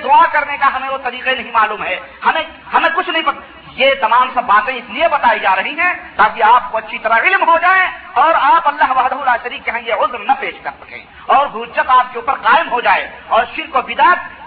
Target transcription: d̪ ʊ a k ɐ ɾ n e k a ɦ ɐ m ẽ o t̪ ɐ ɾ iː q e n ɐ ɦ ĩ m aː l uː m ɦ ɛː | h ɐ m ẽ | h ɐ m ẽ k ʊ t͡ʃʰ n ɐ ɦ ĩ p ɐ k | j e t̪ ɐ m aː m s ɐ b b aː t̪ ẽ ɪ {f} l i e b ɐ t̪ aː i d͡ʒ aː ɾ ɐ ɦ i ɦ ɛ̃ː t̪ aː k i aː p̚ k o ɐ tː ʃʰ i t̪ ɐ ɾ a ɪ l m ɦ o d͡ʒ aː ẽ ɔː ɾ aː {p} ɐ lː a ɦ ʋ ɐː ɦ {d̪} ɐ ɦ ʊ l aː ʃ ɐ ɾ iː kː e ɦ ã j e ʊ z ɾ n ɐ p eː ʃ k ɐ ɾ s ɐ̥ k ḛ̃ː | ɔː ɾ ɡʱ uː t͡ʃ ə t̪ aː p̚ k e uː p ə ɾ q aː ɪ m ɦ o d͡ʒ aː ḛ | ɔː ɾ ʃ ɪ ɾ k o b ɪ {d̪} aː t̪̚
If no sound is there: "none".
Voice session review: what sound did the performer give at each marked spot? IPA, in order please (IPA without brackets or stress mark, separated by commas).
s, p, d̪, d̪